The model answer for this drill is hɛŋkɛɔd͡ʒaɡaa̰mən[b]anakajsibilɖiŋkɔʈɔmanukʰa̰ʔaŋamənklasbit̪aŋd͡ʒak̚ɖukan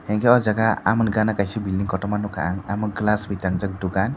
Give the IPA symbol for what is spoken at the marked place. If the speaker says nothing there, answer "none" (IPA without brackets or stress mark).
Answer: ɡ